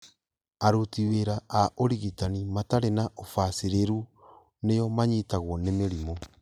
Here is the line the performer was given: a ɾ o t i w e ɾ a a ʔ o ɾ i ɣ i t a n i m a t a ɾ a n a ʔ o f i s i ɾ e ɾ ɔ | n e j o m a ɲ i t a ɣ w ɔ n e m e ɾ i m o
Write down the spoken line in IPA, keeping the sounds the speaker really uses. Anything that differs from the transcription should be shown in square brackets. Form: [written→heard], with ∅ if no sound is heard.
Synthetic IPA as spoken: a ɾ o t i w e ɾ a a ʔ o ɾ i ɣ i t a n i m a t a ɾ [a→e] n a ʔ o f [i→a] s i ɾ e ɾ [ɔ→u] | n e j [o→ɔ] m a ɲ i t a ɣ w ɔ n e m e ɾ i m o